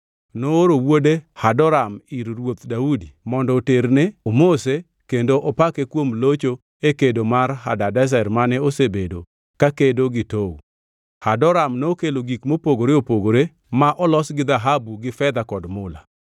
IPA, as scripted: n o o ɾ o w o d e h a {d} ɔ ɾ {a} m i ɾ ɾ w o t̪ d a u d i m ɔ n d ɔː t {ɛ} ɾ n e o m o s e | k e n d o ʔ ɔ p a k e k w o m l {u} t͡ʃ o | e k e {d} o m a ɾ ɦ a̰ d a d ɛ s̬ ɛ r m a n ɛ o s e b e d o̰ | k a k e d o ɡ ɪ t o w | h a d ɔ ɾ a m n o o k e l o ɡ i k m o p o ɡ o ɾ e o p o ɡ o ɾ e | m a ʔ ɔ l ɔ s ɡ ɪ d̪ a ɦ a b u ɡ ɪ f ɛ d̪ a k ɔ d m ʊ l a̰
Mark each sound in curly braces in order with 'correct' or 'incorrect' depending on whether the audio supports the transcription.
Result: correct, correct, incorrect, incorrect, correct

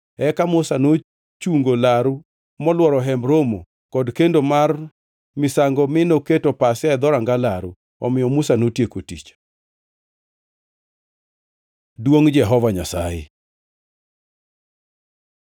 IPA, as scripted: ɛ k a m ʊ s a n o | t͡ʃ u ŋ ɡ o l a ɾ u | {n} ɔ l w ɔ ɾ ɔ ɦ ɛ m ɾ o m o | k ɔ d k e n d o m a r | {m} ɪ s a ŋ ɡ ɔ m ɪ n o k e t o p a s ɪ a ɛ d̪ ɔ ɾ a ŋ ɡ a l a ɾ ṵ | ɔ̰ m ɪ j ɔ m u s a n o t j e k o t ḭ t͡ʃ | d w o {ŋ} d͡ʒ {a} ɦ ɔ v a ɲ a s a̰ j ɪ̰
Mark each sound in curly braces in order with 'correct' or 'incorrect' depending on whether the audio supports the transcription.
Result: incorrect, correct, correct, incorrect

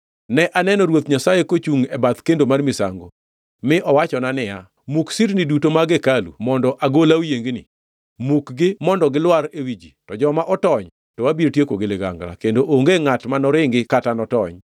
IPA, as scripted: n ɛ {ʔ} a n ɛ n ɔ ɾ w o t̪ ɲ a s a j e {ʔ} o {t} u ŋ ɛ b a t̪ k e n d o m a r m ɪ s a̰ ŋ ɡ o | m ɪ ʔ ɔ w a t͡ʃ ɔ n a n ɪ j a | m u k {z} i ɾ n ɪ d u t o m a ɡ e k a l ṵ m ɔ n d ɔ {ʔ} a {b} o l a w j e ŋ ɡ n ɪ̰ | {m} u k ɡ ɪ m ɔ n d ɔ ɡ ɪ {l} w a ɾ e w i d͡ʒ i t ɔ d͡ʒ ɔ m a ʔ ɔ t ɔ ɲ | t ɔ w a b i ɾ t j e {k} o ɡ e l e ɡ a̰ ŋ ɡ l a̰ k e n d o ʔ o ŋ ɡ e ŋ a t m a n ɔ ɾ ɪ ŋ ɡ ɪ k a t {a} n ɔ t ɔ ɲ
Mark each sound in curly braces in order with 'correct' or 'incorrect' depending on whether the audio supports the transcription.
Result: correct, incorrect, incorrect, incorrect, correct, incorrect, correct, correct, correct, correct

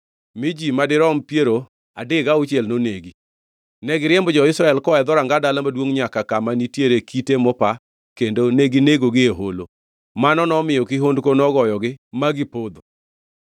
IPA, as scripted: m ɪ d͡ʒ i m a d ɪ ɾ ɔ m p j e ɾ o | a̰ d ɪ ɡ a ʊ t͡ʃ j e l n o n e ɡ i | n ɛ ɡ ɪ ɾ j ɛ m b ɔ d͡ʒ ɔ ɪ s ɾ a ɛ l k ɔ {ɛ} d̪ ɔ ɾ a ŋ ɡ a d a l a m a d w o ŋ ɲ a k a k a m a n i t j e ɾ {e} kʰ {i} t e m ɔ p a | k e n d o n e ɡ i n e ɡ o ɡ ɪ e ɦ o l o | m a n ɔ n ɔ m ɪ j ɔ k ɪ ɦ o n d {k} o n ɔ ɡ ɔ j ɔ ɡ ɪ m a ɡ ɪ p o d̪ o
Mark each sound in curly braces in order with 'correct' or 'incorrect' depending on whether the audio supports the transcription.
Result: correct, correct, correct, correct

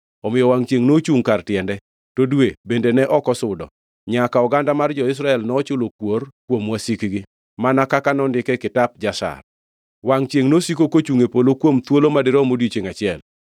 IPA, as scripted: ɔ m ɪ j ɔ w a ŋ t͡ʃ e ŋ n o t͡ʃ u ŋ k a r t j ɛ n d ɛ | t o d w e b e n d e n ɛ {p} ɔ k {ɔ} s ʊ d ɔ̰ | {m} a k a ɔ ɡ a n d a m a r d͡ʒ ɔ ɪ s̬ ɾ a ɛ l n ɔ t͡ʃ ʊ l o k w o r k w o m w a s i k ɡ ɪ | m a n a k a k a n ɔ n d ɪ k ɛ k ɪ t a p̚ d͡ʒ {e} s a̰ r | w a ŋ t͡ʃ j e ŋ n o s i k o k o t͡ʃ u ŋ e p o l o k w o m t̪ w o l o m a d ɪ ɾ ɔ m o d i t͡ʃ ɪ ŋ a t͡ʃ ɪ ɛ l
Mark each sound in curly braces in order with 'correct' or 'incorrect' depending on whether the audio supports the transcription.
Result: incorrect, correct, incorrect, incorrect

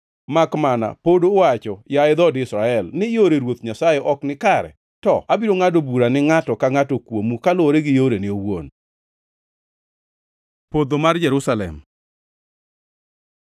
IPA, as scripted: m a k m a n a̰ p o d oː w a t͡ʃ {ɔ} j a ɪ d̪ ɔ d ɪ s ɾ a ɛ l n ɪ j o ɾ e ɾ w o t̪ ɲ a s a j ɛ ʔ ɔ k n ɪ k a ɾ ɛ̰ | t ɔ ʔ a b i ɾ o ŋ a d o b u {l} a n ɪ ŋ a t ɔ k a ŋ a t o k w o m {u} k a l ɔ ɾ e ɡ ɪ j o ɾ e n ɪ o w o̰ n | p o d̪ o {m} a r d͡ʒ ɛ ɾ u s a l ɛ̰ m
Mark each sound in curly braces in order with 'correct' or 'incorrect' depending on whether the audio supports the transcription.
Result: correct, incorrect, correct, correct

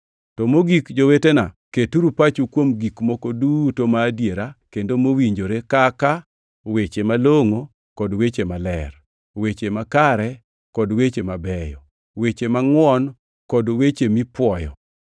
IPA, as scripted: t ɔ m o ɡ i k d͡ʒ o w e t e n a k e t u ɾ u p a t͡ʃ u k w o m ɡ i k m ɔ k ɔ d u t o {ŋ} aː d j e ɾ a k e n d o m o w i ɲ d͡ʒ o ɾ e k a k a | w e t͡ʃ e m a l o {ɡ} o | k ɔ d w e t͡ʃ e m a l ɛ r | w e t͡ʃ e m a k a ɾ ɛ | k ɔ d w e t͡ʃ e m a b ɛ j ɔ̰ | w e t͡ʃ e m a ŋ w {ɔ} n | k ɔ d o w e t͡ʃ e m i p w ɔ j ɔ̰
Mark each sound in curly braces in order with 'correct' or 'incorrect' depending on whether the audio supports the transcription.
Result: incorrect, incorrect, correct

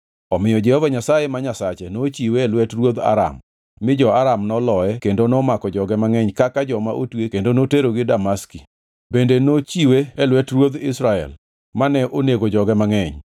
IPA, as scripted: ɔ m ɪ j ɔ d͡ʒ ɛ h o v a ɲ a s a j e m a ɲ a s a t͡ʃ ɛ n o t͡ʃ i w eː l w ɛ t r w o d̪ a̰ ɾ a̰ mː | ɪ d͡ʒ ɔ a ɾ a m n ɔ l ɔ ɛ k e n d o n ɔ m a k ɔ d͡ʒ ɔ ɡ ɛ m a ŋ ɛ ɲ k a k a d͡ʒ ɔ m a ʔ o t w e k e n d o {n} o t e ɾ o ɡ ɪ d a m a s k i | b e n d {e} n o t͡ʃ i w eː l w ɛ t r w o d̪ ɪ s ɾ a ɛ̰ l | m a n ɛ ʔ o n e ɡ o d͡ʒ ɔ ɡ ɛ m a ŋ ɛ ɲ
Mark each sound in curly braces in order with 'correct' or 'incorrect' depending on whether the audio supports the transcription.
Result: correct, correct

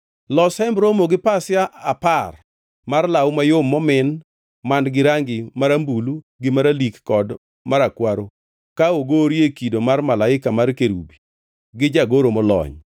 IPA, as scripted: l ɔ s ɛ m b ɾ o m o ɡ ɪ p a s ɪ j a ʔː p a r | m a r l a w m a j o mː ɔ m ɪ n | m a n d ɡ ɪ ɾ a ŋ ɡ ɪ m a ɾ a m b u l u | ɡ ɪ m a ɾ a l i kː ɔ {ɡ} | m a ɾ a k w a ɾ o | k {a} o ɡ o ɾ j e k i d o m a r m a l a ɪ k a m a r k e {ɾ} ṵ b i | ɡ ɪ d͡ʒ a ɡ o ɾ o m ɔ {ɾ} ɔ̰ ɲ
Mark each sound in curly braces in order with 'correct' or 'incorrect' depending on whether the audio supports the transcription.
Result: incorrect, correct, correct, incorrect

